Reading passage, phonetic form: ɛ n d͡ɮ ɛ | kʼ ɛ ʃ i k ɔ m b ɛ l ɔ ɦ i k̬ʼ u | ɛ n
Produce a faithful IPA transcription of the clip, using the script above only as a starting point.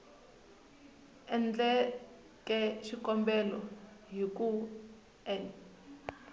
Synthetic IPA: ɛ n d͡ɮ ɛ | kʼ ɛ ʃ i k ɔ m b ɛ l ɔ ɦ i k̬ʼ u | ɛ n